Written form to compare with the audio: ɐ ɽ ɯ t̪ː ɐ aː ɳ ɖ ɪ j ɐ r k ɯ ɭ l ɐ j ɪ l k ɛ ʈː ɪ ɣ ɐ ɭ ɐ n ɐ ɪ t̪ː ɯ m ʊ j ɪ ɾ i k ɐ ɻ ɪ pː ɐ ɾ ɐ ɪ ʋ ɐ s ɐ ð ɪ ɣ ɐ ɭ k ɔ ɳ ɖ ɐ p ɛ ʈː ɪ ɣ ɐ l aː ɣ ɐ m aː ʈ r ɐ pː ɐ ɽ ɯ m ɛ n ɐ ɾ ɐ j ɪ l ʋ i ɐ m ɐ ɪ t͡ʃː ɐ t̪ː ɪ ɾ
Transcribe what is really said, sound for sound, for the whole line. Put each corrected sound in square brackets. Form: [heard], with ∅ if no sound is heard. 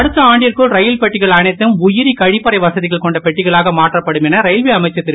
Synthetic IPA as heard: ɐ ɽ ɯ t̪ː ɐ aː ɳ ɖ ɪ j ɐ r k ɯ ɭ [ɾ] ɐ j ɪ l [p] ɛ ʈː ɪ ɣ ɐ ɭ ɐ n ɐ ɪ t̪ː ɯ m ʊ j ɪ ɾ i k ɐ ɻ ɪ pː ɐ ɾ ɐ ɪ ʋ ɐ s ɐ ð ɪ ɣ ɐ ɭ k ɔ ɳ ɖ ɐ p ɛ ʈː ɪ ɣ ɐ [ɭ] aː ɣ ɐ m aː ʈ r ɐ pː ɐ ɽ ɯ m ɛ n ɐ ɾ ɐ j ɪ l ʋ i ɐ m ɐ ɪ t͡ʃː ɐ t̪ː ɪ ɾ